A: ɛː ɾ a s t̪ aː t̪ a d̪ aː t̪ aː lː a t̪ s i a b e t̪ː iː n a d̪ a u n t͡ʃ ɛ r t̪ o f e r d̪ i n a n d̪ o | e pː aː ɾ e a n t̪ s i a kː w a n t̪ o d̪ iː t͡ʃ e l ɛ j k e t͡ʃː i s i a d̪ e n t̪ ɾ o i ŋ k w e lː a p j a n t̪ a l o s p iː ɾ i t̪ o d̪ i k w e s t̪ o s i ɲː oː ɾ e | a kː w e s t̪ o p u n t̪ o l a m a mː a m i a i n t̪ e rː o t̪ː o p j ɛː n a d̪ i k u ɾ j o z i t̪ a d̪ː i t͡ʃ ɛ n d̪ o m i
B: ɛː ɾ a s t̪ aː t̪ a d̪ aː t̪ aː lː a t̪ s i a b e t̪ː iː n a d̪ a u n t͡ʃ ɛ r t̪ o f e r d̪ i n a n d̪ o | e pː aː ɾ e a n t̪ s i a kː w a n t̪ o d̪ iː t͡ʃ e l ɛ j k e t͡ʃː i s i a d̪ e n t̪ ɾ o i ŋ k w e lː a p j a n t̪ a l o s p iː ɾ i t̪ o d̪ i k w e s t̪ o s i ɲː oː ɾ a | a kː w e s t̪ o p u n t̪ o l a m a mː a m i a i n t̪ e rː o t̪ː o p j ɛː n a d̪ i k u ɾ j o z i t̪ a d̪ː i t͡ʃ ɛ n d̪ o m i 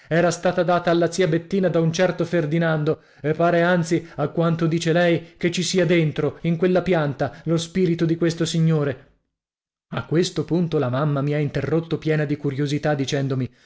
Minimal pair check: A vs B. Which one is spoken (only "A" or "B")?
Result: A